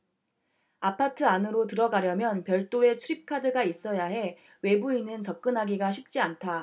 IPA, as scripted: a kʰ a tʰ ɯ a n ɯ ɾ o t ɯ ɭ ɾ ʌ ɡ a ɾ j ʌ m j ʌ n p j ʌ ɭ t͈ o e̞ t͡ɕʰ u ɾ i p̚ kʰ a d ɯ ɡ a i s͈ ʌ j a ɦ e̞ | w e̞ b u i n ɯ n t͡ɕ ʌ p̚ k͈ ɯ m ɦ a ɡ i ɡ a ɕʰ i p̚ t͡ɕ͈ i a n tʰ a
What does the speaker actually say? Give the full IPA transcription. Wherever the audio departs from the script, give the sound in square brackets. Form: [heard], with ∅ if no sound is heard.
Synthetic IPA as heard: a [pʰ] a tʰ ɯ a n ɯ ɾ o t ɯ [∅] ɾ ʌ ɡ a ɾ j ʌ m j ʌ n p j ʌ ɭ t͈ o e̞ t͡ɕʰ u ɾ i p̚ kʰ a d ɯ ɡ a i s͈ ʌ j a ɦ e̞ | w e̞ b u i n ɯ n t͡ɕ ʌ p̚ k͈ ɯ [n] ɦ a ɡ i ɡ a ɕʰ i p̚ t͡ɕ͈ i a n tʰ a